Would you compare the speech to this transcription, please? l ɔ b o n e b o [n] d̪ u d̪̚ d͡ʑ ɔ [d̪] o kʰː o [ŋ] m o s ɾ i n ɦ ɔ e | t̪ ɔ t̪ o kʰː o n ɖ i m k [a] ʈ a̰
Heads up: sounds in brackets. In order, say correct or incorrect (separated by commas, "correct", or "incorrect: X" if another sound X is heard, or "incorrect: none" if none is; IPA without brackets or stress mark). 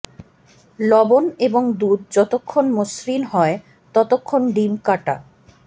incorrect: ŋ, incorrect: t̪, incorrect: n, correct